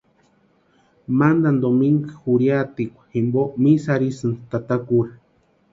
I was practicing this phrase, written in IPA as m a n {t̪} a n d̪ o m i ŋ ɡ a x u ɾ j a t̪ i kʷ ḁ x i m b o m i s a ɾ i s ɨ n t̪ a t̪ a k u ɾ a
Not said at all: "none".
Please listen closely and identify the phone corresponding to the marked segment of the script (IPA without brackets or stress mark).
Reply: d̪